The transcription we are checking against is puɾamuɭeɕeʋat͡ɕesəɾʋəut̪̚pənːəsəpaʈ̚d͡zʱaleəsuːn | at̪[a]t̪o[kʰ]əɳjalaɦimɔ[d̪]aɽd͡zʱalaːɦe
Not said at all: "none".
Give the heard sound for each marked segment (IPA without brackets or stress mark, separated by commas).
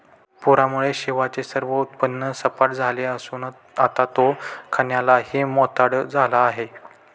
a, kʰ, t̪